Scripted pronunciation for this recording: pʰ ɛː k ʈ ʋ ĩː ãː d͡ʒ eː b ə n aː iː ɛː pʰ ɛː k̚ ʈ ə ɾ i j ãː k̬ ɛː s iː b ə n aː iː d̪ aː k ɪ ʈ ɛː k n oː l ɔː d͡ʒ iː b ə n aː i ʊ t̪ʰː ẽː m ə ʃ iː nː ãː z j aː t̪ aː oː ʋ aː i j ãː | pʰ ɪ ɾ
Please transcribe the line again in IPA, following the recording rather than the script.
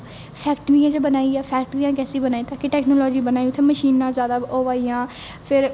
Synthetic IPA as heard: pʰ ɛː k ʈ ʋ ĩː ãː d͡ʒ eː b ə n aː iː ɛː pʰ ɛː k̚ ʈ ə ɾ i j ãː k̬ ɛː s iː b ə n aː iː t̪ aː k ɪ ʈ ɛː k n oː l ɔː d͡ʒ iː b ə n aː i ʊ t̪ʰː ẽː m ə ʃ iː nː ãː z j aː d̪ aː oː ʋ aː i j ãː | pʰ ɪ ɾ